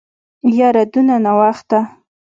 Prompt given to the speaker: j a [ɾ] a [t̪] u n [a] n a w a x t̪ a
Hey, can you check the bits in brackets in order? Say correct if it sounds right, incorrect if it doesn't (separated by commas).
correct, incorrect, correct